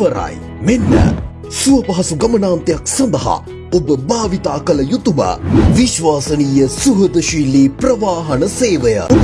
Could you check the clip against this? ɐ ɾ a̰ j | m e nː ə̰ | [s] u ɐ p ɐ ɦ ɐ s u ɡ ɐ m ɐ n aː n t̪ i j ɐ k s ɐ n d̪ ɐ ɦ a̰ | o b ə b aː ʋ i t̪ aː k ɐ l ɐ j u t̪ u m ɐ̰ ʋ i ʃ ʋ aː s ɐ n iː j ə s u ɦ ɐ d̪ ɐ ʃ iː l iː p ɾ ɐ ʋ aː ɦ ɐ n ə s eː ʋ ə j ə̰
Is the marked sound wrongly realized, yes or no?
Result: no